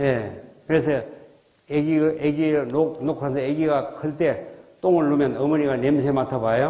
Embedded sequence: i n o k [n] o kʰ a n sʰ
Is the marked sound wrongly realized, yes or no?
no